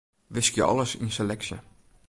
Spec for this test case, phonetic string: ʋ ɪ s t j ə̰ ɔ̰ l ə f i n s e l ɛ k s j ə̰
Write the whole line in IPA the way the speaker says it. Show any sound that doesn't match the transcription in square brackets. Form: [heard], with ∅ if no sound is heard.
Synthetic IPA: ʋ ɪ s [k] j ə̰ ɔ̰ l ə [s] i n s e l ɛ k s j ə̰